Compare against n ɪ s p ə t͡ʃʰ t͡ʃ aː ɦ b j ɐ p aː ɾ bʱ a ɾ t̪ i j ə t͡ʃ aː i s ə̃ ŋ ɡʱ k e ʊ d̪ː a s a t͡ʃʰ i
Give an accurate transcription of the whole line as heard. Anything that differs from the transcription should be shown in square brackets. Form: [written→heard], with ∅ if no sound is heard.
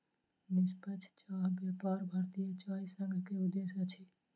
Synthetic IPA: n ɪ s p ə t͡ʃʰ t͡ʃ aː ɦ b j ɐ p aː ɾ bʱ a ɾ t̪ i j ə t͡ʃ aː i s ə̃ ŋ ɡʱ k e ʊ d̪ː [a→e] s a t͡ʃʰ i